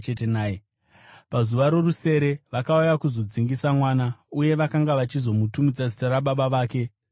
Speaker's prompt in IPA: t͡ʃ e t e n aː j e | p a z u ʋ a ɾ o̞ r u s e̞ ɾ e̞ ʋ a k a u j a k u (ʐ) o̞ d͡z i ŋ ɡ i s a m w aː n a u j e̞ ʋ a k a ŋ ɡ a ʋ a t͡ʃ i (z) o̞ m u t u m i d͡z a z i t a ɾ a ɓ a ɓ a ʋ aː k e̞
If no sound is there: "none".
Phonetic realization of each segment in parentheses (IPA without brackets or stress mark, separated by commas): z, z